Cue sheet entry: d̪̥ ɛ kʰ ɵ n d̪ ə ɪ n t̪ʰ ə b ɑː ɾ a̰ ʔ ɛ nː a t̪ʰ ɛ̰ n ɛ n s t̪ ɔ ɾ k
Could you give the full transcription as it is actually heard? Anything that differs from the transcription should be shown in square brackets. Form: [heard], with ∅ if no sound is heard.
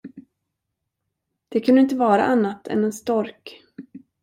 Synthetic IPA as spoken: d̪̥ ɛ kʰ ɵ n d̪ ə ɪ n [t̪] ə [v] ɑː ɾ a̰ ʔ [a] nː a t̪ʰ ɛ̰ n ɛ n s t̪ ɔ ɾ k